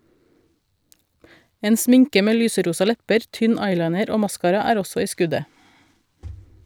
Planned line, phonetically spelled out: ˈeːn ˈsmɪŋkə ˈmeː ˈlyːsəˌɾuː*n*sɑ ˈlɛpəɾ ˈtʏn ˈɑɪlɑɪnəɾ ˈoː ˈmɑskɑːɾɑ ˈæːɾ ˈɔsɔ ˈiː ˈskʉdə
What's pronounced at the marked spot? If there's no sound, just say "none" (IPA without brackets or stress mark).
none